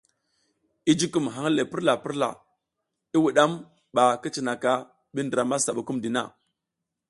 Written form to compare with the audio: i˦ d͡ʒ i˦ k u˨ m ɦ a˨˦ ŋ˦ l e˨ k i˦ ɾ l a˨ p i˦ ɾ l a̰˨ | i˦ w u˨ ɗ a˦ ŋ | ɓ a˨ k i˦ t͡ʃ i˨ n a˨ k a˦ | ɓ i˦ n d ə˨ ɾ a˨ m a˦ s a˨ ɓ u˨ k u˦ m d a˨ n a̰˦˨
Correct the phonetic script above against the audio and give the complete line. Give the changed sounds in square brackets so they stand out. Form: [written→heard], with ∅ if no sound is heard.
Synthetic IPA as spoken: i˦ d͡ʒ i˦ k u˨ m ɦ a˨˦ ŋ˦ l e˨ [k→p] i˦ ɾ l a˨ p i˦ ɾ l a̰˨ | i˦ w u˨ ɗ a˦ [ŋ→m] | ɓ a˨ k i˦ t͡ʃ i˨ n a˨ k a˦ | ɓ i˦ n d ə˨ ɾ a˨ m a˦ s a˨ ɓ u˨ k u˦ m d [a˨→i˨] n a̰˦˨

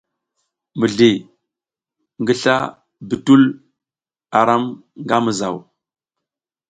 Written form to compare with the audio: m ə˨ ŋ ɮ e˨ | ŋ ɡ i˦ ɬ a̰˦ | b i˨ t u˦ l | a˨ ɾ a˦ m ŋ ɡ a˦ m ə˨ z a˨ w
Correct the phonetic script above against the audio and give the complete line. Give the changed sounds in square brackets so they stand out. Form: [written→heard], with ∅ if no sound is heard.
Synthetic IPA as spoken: m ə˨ [ŋ→∅] ɮ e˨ | ŋ ɡ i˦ ɬ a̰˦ | b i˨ t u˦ l | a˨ ɾ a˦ m ŋ ɡ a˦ m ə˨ z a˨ w

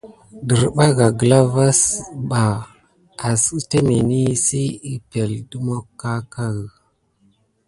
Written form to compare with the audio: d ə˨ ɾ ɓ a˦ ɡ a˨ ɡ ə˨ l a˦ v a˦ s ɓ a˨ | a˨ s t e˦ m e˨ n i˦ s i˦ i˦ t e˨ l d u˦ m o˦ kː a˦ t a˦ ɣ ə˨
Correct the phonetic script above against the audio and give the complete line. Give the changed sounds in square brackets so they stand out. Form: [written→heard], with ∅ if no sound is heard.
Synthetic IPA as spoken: d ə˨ ɾ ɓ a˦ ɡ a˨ ɡ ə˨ l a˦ v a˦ s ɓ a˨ | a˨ s t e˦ m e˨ n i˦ s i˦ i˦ [t→p] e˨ l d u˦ m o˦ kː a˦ [t→k] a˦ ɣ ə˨

